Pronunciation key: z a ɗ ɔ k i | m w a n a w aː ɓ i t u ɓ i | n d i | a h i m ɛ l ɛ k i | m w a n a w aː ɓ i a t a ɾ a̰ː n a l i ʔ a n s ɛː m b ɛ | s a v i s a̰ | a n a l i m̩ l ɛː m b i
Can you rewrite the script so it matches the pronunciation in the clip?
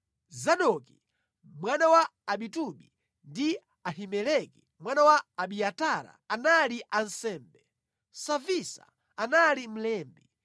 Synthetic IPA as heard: z a ɗ ɔ k i | m w a n a w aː ɓ i t u ɓ i | n d i | a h i m ɛ l ɛ k i | m w a n a w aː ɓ i a t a ɾ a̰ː n a l i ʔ a n s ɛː m b ɛ | s a v i s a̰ | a n a l i m̩ l ɛː m b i